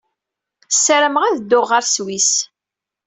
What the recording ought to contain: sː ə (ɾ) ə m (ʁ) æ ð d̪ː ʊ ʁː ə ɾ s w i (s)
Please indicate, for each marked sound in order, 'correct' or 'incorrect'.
correct, correct, correct

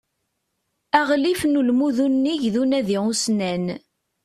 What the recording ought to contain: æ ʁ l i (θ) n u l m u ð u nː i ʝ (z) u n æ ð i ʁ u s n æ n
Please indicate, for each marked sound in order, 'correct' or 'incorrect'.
incorrect: f, incorrect: ð

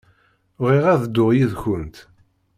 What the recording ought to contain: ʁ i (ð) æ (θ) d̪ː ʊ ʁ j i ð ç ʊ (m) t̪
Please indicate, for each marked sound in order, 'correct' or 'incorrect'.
incorrect: ʁ, incorrect: ð, incorrect: n

